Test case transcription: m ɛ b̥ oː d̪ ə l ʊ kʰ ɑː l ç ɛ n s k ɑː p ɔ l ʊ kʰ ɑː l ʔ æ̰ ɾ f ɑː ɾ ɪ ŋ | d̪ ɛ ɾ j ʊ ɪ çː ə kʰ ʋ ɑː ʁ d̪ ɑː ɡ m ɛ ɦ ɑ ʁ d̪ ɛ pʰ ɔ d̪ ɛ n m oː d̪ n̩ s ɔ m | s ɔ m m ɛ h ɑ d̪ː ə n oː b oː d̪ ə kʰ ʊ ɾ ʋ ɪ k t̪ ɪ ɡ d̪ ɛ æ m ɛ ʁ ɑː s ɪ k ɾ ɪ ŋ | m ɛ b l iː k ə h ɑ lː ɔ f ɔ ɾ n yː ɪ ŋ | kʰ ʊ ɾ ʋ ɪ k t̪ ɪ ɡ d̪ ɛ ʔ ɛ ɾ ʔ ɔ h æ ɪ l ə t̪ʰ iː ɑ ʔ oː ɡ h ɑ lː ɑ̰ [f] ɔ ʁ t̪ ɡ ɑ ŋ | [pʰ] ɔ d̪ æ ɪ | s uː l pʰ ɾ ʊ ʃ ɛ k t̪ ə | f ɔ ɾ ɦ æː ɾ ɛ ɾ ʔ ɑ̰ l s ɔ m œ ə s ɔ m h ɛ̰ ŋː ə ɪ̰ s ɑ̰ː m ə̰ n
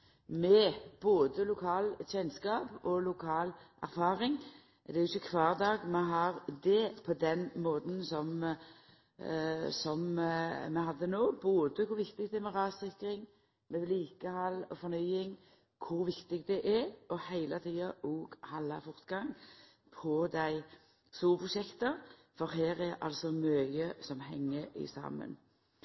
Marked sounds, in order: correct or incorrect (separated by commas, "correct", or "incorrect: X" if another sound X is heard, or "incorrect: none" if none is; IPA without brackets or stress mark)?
correct, correct